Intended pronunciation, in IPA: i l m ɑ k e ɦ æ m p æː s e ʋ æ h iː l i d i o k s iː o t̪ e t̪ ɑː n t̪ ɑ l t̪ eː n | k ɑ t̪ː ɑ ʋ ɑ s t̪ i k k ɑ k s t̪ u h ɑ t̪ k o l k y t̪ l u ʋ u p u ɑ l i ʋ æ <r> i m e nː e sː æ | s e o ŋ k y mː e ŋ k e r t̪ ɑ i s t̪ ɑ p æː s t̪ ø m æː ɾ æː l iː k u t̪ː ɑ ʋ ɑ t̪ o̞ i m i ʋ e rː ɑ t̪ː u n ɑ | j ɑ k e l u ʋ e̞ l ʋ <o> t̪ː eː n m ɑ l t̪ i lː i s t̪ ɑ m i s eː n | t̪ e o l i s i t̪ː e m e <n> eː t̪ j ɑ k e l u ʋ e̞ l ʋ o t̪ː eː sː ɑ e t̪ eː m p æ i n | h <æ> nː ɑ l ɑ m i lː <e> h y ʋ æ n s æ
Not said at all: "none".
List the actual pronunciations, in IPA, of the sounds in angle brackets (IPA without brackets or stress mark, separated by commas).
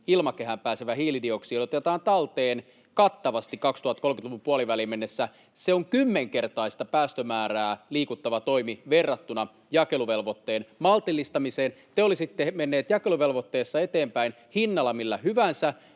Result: l, o, nː, i, æ